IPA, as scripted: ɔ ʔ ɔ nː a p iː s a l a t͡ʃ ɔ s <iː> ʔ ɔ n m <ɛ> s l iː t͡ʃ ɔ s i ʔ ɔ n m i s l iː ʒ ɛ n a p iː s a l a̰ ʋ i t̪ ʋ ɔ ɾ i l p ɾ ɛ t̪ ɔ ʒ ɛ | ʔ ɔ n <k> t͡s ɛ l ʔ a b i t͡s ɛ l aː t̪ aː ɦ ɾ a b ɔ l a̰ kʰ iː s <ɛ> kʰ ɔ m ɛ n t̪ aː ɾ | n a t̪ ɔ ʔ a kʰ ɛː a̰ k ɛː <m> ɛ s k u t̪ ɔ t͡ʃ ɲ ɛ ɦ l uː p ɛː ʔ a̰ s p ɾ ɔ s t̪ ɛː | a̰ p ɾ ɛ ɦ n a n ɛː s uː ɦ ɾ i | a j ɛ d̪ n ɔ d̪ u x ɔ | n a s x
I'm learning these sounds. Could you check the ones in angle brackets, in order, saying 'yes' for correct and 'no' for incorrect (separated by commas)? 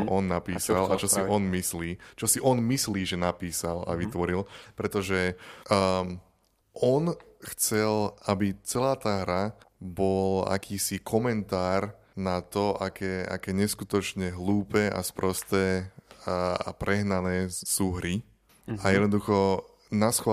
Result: no, no, no, no, no